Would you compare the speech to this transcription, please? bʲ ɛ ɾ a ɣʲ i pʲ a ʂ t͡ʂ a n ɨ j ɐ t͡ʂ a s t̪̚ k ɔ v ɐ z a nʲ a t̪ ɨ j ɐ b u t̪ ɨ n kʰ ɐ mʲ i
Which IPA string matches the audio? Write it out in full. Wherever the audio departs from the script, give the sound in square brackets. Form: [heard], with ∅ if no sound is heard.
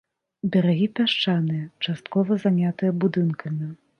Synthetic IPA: bʲ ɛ ɾ a ɣʲ i pʲ a ʂ t͡ʂ a n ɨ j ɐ t͡ʂ a s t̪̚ k ɔ v ɐ z a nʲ a t̪ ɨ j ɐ b u [d̪] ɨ n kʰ ɐ mʲ i

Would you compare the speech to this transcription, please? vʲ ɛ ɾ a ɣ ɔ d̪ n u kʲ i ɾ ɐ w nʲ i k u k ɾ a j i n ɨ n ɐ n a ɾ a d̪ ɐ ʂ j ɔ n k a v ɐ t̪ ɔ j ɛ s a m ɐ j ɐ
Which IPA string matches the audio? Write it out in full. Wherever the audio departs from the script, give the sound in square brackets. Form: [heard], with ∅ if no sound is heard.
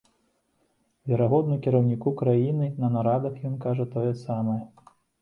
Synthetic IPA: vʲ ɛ ɾ a ɣ ɔ d̪ n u kʲ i ɾ ɐ w nʲ i k u k ɾ a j i n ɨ n ɐ n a ɾ a d̪ ɐ [x] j ɔ n k a [ʐ] ɐ t̪ ɔ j ɛ s a m ɐ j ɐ

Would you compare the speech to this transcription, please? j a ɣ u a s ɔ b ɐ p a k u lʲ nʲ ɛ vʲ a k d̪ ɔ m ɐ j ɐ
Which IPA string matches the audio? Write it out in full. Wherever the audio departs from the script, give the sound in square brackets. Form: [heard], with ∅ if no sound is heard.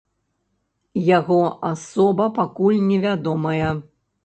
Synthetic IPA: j a ɣ [ɔ] a s ɔ b ɐ p a k u lʲ nʲ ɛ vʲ a [∅] d̪ ɔ m ɐ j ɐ

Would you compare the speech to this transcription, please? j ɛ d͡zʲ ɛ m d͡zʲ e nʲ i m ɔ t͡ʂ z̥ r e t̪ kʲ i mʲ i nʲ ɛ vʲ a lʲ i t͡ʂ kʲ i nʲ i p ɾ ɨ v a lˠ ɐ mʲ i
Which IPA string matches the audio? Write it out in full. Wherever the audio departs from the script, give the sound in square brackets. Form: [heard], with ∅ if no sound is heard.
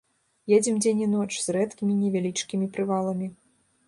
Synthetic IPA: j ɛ d͡zʲ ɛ m d͡zʲ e nʲ i [n] ɔ t͡ʂ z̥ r [ɛ] t̪ kʲ i mʲ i nʲ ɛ vʲ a lʲ i t͡ʂ kʲ i [mʲ] i p ɾ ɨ v a lˠ ɐ mʲ i

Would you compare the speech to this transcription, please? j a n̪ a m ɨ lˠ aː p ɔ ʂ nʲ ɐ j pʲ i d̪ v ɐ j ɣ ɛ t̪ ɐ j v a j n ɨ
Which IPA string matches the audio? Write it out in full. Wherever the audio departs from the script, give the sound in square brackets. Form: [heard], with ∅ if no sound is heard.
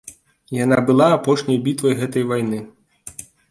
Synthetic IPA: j a n̪ a [b] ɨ lˠ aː p ɔ ʂ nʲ ɐ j [bʲ] i [t̪] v ɐ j ɣ ɛ t̪ ɐ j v a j n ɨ

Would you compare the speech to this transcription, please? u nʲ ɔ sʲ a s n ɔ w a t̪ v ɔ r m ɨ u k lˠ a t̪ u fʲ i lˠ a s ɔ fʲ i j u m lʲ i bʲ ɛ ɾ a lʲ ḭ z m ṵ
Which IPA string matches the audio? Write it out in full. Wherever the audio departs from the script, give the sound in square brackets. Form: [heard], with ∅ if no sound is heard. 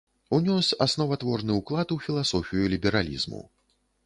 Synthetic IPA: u nʲ ɔ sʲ a s n ɔ [v] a t̪ v ɔ r [n] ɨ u k lˠ a t̪ u fʲ i lˠ a s ɔ fʲ i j u [∅] lʲ i bʲ ɛ ɾ a lʲ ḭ z m ṵ

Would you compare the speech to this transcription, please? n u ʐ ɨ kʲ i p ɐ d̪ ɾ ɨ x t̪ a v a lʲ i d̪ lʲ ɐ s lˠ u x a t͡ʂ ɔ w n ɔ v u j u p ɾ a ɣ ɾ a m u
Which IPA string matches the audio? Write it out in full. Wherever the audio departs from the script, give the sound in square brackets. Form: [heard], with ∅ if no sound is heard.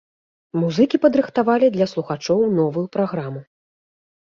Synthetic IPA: [m] u [z] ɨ kʲ i p ɐ d̪ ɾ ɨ x t̪ a v a lʲ i d̪ lʲ ɐ s lˠ u x a t͡ʂ ɔ w n ɔ v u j u p ɾ a ɣ ɾ a m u

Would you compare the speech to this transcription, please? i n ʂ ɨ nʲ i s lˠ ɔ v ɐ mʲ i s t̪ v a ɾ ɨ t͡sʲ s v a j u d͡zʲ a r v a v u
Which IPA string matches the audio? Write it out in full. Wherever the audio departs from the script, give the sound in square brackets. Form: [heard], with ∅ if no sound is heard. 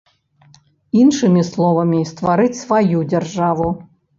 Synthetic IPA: i n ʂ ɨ [mʲ] i s lˠ ɔ v ɐ mʲ i s t̪ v a ɾ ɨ t͡sʲ s v a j u d͡zʲ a r [ʐ] a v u

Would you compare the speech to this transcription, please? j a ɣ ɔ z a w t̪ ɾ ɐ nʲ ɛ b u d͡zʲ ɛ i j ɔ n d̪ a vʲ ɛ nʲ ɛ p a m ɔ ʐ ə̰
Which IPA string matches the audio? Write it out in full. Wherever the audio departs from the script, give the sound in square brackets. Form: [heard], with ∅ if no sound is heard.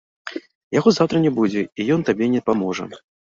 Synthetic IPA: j a ɣ ɔ z a w t̪ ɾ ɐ nʲ ɛ b u d͡zʲ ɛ i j ɔ n [t̪] a [bʲ] ɛ nʲ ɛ p a m ɔ ʐ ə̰

